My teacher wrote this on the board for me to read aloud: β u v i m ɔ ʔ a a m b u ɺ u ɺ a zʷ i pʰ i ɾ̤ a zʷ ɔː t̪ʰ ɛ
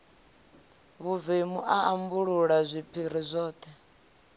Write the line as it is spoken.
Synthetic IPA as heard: β u v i m u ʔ a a m b u ɺ u ɺ a zʷ i pʰ i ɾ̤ i zʷ ɔː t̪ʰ ɛ